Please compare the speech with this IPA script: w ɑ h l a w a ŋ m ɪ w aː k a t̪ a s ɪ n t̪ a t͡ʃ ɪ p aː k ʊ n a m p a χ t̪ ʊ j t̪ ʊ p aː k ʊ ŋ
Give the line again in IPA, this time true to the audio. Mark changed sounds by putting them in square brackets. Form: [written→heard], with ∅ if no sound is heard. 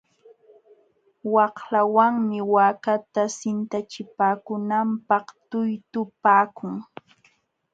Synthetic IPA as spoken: w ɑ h l a w a ŋ m ɪ w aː k a t̪ a s ɪ n t̪ a t͡ʃ ɪ p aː k ʊ n a m p [a→ɑ] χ t̪ ʊ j t̪ ʊ p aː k ʊ ŋ